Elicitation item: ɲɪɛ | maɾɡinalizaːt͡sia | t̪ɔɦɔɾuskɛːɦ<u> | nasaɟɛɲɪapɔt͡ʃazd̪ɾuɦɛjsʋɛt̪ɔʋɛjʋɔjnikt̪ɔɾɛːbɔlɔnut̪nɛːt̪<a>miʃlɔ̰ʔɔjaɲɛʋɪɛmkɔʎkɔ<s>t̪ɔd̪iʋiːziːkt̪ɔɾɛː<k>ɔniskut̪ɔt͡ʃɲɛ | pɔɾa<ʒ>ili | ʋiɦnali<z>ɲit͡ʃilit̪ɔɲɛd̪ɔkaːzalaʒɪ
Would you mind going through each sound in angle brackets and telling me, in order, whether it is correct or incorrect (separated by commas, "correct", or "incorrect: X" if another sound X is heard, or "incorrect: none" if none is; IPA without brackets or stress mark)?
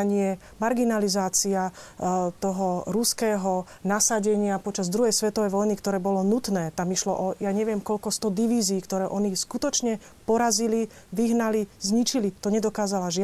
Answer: incorrect: ɔ, correct, correct, incorrect: ʔ, incorrect: z, correct